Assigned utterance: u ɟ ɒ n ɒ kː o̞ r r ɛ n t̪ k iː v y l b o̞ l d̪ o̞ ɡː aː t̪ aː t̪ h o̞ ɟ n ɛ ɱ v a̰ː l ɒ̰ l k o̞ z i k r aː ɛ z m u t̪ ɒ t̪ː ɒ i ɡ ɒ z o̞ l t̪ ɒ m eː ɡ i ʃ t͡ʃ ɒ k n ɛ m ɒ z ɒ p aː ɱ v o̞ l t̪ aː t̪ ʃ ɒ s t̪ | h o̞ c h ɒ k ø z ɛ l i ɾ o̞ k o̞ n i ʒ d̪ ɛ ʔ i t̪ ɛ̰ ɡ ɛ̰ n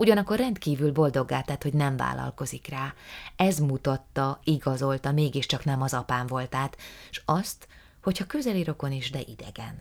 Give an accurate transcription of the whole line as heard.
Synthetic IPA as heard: u ɟ ɒ n ɒ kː o̞ r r ɛ n t̪ k iː v y l b o̞ l d̪ o̞ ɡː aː t̪ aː t̪ h o̞ ɟ n ɛ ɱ v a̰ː l ɒ̰ l k o̞ z i k r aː ɛ z m u t̪ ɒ t̪ː ɒ i ɡ ɒ z o̞ l t̪ ɒ m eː ɡ i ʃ t͡ʃ ɒ k n ɛ m ɒ z ɒ p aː ɱ v o̞ l t̪ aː t̪ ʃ ɒ s t̪ | h o̞ c h ɒ k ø z ɛ l i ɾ o̞ k o̞ n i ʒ d̪ ɛ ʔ i d̪ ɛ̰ ɡ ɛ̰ n